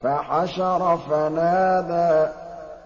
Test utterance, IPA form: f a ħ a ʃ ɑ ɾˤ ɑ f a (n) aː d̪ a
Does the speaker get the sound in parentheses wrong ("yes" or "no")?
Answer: no